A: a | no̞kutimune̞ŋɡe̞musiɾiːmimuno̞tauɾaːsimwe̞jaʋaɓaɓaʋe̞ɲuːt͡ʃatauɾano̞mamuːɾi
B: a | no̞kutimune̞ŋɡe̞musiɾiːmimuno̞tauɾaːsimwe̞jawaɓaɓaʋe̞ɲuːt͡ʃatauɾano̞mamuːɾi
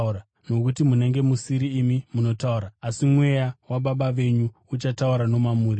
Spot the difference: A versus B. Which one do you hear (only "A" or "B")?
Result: B